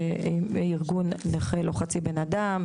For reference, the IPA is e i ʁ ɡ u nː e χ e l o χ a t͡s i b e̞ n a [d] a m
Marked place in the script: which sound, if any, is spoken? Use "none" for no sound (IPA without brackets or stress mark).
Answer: d